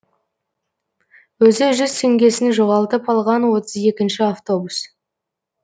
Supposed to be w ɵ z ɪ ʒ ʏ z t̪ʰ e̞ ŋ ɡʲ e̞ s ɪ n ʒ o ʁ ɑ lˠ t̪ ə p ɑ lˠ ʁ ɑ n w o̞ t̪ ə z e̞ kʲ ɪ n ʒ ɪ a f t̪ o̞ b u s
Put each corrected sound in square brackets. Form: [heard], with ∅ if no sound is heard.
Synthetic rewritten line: w ɵ z ɪ ʒ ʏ z t̪ʰ e̞ ŋ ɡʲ e̞ s ɪ n ʒ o ʁ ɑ lˠ t̪ ə p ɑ lˠ ʁ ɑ n w o̞ t̪ ə z e̞ kʲ ɪ n [ʃ] ɪ a f t̪ o̞ b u s

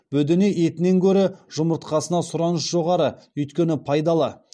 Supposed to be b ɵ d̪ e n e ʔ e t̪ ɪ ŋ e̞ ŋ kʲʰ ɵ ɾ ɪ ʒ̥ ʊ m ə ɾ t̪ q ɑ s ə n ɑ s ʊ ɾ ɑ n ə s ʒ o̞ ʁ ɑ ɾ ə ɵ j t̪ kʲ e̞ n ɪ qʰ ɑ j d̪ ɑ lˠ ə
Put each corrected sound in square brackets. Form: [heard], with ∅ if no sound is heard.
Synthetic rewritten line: b ɵ d̪ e n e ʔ e t̪ ɪ [n] e̞ ŋ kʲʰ ɵ ɾ ɪ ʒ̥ ʊ m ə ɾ t̪ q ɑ s ə n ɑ s ʊ ɾ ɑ n ə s ʒ o̞ ʁ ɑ ɾ ə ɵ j t̪ kʲ e̞ n ɪ [pʰ] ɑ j d̪ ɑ lˠ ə

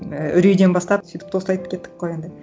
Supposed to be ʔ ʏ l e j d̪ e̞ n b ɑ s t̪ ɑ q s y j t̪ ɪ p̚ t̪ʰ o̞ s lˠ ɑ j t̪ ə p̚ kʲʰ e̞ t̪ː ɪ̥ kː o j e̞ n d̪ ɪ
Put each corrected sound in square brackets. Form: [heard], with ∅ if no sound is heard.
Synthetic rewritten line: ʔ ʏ [ɾ] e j d̪ e̞ n b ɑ s t̪ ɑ [p] s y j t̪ ɪ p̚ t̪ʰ o̞ s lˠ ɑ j t̪ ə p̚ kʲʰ e̞ t̪ː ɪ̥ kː o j e̞ n d̪ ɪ

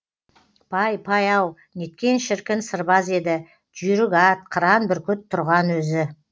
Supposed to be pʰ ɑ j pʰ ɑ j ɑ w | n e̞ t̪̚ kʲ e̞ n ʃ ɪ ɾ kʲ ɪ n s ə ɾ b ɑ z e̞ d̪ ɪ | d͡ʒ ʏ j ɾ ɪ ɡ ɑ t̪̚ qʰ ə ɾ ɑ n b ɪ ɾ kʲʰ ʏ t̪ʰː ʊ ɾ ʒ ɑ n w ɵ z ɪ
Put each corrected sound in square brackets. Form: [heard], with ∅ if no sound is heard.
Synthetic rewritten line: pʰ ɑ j pʰ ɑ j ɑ w | n e̞ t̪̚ kʲ e̞ n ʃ ɪ ɾ kʲ ɪ n s ə ɾ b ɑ z e̞ d̪ ɪ | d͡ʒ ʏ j ɾ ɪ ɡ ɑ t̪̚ qʰ ə ɾ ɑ n b ɪ ɾ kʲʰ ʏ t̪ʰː ʊ ɾ [ʁ] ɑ n w ɵ z ɪ

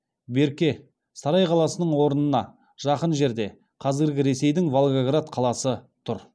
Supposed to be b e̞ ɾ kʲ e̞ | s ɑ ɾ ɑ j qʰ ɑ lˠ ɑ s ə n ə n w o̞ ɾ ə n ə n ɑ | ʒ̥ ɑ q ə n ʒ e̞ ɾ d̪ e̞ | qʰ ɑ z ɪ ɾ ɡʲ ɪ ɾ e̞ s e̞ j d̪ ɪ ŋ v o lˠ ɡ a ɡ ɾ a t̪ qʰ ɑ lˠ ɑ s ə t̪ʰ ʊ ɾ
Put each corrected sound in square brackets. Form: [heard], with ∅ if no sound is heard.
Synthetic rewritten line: b e̞ ɾ kʲ e̞ | s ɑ ɾ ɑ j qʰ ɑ lˠ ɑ s ə n ə [ɴ] w o̞ ɾ ə n ə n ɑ | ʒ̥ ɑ q ə n ʒ e̞ ɾ d̪ e̞ | qʰ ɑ z ɪ ɾ ɡʲ ɪ ɾ e̞ s e̞ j d̪ ɪ ŋ v o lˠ ɡ a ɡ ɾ a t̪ qʰ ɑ lˠ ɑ s ə t̪ʰ ʊ ɾ

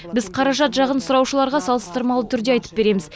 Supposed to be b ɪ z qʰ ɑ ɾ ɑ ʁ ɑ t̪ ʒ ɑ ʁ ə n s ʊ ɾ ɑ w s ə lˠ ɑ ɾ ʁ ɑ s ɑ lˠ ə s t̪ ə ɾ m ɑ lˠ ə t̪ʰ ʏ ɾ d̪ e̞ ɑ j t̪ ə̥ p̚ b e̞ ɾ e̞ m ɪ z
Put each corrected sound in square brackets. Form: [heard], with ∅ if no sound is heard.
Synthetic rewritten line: b ɪ z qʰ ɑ ɾ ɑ [ʒ] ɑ t̪ ʒ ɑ ʁ ə n s ʊ ɾ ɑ w [ʃ] ə lˠ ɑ ɾ ʁ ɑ s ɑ lˠ ə s t̪ ə ɾ m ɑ lˠ ə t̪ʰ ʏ ɾ d̪ e̞ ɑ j t̪ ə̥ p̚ b e̞ ɾ e̞ m ɪ z

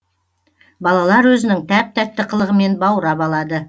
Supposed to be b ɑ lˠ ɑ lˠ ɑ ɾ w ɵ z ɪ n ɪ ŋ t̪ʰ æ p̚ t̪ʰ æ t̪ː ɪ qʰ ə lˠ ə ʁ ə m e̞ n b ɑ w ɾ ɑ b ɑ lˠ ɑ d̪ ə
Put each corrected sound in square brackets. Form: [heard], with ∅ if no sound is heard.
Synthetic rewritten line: b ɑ lˠ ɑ lˠ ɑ ɾ w ɵ z ɪ n ɪ ŋ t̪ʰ æ p̚ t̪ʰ æ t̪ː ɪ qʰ ə lˠ ə ʁ ə m e̞ n b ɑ w ɾ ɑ b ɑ lˠ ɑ d̪ ə

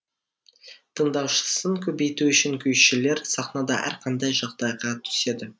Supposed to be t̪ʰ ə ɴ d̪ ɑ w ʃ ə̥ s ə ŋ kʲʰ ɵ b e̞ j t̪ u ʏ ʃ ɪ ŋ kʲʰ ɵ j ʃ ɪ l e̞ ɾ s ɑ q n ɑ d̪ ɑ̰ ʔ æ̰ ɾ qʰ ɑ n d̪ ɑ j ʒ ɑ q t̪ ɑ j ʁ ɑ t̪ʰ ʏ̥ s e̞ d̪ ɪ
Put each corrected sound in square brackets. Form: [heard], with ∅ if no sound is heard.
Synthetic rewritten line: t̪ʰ ə ɴ d̪ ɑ w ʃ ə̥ s ə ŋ kʲʰ ɵ b e̞ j t̪ u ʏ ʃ ɪ ŋ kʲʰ ɵ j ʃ ɪ l e̞ ɾ s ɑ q n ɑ d̪ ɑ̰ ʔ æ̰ ɾ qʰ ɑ n d̪ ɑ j ʒ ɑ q [d̪] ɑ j ʁ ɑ t̪ʰ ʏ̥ s e̞ d̪ ɪ

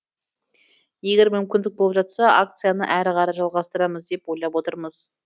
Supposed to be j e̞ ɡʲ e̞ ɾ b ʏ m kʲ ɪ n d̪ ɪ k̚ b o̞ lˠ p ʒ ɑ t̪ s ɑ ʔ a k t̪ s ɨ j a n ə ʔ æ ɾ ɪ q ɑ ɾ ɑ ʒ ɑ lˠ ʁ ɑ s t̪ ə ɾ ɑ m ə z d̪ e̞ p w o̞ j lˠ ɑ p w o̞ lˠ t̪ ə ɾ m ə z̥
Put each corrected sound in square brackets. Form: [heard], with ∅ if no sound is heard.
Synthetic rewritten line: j e̞ ɡʲ e̞ ɾ [m] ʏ m kʲ ɪ n d̪ ɪ k̚ b o̞ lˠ p ʒ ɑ t̪ s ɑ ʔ a k t̪ s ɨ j a n ə ʔ æ ɾ ɪ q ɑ ɾ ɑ ʒ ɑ lˠ ʁ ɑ s t̪ ə ɾ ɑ m ə z d̪ e̞ p w o̞ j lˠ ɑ p w o̞ [∅] t̪ ə ɾ m ə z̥

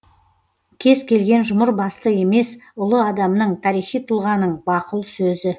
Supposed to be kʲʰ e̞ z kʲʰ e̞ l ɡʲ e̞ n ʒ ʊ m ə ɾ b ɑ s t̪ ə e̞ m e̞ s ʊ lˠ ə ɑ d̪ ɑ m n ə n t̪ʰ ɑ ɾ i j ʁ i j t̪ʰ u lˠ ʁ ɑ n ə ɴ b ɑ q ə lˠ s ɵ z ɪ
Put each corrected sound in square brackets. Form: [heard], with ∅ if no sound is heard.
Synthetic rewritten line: kʲʰ e̞ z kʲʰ e̞ l ɡʲ e̞ n ʒ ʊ m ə ɾ b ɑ s t̪ ə e̞ m e̞ s ʊ lˠ ə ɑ d̪ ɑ m n ə [ɴ] t̪ʰ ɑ ɾ i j [χ] i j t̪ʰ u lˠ ʁ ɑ n ə ɴ b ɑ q ə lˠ s ɵ z ɪ

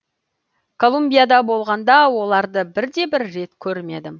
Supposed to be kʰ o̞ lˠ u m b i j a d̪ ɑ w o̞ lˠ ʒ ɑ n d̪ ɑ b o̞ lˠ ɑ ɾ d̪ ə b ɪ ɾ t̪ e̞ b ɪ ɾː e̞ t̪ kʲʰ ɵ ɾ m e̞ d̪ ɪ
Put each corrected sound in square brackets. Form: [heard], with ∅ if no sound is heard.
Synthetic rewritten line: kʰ o̞ lˠ u m b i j a d̪ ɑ [b] o̞ lˠ [ʁ] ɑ n d̪ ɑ [w] o̞ lˠ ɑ ɾ d̪ ə b ɪ ɾ [d̪] e̞ b ɪ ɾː e̞ t̪ kʲʰ ɵ ɾ m e̞ d̪ ɪ

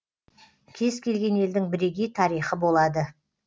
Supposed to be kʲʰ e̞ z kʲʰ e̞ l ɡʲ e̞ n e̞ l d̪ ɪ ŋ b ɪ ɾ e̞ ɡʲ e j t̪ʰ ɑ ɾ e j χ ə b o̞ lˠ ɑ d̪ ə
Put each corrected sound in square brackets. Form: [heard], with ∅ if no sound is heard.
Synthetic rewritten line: kʲʰ e̞ z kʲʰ e̞ l ɡʲ e̞ n e̞ l d̪ ɪ ŋ b ɪ ɾ e̞ ɡʲ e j t̪ʰ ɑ ɾ [i] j χ ə b o̞ lˠ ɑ d̪ ə

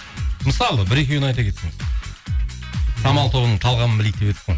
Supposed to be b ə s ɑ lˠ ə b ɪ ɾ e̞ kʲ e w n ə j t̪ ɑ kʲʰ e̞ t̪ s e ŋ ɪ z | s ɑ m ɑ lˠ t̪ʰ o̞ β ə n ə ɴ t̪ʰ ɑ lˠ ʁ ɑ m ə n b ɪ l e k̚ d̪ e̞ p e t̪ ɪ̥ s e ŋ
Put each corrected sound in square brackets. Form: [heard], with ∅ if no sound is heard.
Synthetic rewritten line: [m] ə s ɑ lˠ ə b ɪ ɾ e̞ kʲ e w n [ɑ] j t̪ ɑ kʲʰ e̞ t̪ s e ŋ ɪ z | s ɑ m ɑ lˠ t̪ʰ o̞ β ə n ə ɴ t̪ʰ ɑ lˠ ʁ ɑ m ə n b ɪ l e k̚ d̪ e̞ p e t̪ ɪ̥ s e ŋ

